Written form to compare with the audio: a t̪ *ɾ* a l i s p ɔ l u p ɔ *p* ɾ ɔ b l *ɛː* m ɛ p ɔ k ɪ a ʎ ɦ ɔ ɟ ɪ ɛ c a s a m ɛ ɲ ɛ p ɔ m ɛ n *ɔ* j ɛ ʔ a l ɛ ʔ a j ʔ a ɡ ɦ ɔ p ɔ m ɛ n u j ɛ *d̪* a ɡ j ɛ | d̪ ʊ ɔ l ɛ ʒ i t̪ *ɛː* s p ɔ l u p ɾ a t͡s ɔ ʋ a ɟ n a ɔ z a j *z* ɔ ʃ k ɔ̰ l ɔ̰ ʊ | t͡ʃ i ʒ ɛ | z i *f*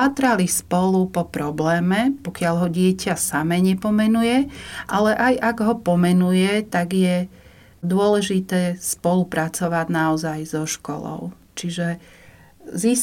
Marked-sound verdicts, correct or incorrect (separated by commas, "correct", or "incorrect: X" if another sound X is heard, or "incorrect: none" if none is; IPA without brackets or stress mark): correct, correct, correct, incorrect: u, incorrect: t̪, correct, correct, incorrect: s